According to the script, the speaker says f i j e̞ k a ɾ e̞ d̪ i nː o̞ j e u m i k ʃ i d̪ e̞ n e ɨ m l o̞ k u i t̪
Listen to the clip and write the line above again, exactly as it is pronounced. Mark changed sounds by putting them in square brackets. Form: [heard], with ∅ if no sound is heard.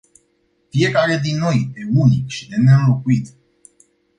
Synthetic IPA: f i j e̞ k a ɾ e̞ d̪ i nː o̞ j e u [n] i k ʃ i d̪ e̞ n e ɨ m l o̞ k u i t̪